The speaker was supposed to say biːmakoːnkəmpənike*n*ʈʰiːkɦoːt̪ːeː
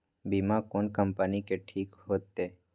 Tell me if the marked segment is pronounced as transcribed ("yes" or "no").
no